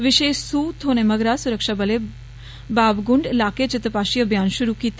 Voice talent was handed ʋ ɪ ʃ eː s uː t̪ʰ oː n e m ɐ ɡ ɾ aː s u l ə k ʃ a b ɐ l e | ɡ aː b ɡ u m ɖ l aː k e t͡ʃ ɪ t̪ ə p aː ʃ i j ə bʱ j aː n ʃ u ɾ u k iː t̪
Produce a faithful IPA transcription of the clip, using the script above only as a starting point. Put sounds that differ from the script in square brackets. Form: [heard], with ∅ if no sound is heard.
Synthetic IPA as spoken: ʋ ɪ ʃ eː s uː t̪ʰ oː n e m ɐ ɡ ɾ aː s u [ɾ] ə k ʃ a b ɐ l e | [b] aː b ɡ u [ɳ] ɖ l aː k e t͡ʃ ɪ t̪ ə p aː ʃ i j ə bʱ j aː n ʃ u ɾ u k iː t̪